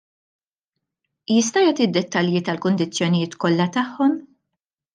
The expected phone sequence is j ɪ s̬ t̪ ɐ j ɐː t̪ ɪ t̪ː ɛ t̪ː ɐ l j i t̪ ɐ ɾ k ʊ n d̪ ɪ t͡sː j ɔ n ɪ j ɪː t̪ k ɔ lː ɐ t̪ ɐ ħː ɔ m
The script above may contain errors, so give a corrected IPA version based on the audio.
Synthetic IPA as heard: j ɪ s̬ t̪ ɐ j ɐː t̪ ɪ d̪ː ɛ t̪ː ɐ l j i t̪ ɐ l k ʊ n d̪ ɪ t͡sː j ɔ n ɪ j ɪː t̪ k ɔ lː ɐ t̪ ɐ ħː ɔ m